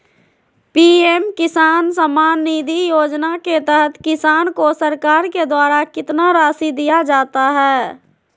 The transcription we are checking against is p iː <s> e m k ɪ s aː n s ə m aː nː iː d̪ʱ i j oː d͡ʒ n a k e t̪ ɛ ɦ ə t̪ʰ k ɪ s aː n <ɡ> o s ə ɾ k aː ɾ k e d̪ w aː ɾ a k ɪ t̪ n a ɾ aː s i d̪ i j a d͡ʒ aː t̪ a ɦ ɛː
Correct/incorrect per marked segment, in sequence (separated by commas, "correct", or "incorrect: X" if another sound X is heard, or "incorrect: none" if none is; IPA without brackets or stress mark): incorrect: none, incorrect: k